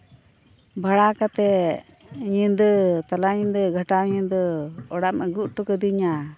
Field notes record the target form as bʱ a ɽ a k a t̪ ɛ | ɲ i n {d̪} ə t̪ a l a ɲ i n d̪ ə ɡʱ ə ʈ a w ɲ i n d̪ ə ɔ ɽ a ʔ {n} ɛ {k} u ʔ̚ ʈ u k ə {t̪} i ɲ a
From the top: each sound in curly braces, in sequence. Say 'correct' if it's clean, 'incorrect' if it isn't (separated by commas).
correct, incorrect, incorrect, incorrect